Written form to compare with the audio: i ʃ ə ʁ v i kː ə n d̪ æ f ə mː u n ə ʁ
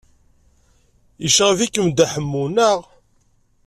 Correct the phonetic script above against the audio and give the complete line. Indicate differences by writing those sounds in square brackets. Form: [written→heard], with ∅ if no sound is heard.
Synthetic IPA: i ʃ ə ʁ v i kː ə [n→m] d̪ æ [f→ħ] ə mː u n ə ʁ